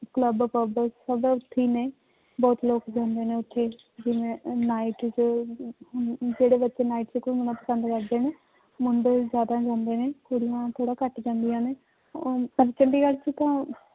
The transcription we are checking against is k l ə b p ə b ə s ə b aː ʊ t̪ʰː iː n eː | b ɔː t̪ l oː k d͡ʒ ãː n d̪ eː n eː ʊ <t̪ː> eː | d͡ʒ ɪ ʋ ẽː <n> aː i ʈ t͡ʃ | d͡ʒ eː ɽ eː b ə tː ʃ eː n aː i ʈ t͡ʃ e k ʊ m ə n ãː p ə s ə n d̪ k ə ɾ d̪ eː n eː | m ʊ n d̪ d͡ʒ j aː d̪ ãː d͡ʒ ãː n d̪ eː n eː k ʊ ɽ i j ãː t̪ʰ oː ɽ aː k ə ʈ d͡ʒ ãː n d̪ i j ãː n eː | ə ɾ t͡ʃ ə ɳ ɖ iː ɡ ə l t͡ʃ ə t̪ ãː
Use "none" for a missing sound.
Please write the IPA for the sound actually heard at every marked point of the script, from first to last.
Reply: t̪ʰː, n

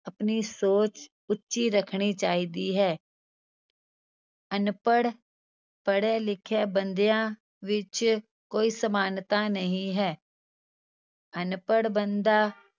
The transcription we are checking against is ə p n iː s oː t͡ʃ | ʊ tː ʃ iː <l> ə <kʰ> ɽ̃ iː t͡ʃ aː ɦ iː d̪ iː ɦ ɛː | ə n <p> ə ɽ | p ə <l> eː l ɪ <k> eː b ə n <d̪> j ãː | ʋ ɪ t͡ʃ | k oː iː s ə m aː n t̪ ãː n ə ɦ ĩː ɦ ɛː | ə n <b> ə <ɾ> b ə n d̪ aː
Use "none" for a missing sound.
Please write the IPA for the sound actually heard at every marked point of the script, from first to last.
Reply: ɾ, kʰ, p, ɽ, kʰ, d̪, p, ɽ

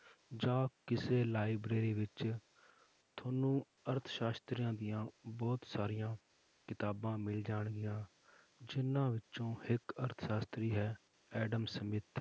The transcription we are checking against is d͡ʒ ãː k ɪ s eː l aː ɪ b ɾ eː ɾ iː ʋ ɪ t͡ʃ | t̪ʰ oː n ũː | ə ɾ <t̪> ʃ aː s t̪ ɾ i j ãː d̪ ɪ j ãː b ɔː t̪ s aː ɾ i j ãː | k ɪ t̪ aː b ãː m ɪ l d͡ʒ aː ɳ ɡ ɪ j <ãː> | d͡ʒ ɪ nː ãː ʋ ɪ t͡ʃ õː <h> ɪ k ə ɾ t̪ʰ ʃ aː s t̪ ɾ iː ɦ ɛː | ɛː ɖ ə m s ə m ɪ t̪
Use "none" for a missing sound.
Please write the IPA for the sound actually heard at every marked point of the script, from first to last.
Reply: t̪ʰ, ãː, h

